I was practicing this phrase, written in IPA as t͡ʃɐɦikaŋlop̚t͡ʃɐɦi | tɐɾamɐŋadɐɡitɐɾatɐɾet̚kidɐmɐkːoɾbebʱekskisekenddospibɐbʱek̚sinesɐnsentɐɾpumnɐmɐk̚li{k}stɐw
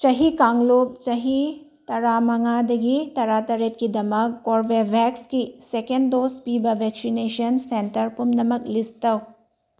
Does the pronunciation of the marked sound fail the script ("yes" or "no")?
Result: yes